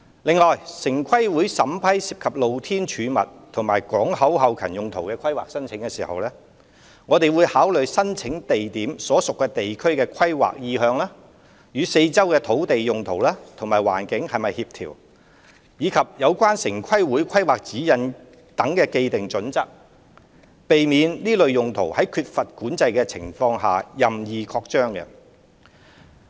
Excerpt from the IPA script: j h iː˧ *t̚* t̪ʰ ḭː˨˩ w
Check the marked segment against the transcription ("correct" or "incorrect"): incorrect